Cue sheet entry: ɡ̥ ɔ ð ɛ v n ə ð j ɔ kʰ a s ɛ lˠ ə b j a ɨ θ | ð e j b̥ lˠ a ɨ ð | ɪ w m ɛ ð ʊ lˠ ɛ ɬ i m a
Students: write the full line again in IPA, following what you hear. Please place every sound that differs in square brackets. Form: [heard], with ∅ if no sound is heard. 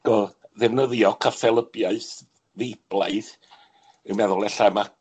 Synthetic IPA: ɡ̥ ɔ ð ɛ v n ə ð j ɔ kʰ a [f] ɛ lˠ ə b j a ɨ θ | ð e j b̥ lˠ a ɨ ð | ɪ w m ɛ ð ʊ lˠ ɛ ɬ [a] m a